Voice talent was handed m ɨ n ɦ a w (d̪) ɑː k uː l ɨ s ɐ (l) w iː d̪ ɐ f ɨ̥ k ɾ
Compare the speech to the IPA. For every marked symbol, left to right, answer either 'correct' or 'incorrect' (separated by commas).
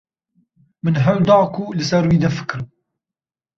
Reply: correct, incorrect